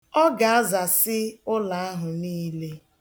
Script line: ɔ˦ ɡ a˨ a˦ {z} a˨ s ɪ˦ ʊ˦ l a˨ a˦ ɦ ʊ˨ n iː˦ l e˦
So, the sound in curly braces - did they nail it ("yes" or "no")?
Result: yes